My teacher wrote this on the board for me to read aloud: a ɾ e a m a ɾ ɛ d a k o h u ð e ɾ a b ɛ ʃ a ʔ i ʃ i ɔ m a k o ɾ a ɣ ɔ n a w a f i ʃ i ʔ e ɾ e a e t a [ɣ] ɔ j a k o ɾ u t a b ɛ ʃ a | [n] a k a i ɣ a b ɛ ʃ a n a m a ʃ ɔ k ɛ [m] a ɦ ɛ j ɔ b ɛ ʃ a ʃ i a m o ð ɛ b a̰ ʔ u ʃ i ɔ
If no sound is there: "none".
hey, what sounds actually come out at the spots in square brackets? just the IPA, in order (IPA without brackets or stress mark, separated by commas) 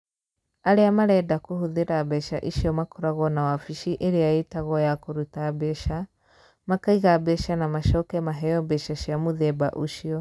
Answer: ɣ, m, m